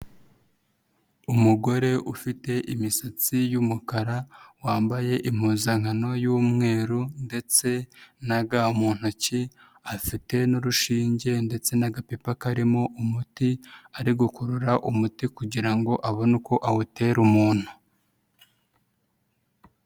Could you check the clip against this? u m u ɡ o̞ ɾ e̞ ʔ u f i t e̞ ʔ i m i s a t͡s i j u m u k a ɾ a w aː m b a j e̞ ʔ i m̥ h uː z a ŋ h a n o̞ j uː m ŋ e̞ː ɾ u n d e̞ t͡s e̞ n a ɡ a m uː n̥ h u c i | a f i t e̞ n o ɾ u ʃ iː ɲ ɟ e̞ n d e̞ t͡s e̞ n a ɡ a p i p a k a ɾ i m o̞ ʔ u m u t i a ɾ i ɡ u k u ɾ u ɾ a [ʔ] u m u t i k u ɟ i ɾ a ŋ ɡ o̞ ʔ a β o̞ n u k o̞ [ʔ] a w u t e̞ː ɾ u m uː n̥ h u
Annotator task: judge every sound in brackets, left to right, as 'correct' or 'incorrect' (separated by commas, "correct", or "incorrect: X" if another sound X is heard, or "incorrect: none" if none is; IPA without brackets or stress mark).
correct, correct